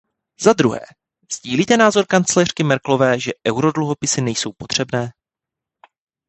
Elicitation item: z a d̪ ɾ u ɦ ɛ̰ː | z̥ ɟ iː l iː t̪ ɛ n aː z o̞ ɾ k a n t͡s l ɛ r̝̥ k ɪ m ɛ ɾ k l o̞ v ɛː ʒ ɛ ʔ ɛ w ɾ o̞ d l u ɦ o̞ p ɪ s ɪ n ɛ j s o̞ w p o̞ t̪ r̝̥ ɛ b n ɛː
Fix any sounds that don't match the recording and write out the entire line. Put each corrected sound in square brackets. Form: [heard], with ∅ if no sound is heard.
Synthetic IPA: z a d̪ ɾ u ɦ ɛ̰ː | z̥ ɟ iː l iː t̪ ɛ n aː z o̞ ɾ k a n t͡s l ɛ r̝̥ k ɪ m ɛ ɾ k l o̞ v ɛː ʒ ɛ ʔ ɛ w ɾ o̞ d l u ɦ o̞ p ɪ s ɪ n ɛ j s o̞ w p o̞ t̪ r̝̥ ɛ b n ɛː